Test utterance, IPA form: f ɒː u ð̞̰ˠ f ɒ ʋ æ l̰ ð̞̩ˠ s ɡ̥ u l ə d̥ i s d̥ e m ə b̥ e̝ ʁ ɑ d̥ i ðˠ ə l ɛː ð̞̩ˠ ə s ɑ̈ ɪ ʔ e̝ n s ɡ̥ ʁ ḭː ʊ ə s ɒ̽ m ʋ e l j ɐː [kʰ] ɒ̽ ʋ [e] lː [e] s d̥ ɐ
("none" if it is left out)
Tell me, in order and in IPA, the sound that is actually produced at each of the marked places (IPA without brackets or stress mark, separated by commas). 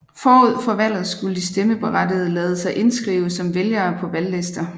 pʰ, æ, e